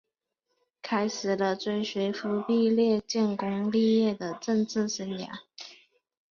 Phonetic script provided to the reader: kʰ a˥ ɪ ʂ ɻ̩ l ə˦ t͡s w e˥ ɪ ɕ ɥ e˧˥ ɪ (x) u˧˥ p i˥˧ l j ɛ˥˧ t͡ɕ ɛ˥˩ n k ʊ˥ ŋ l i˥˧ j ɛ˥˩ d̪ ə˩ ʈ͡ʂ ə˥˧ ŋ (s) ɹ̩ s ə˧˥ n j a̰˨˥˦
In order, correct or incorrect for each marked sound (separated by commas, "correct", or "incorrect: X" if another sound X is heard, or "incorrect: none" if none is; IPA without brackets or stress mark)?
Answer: incorrect: f, incorrect: t͡s